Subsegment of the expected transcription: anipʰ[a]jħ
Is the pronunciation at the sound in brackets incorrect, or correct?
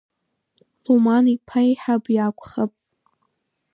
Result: correct